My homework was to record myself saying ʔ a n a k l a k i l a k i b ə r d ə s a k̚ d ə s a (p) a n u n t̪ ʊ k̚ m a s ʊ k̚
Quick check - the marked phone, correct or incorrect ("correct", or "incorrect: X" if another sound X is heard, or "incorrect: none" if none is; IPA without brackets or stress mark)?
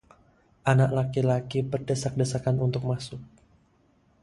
incorrect: k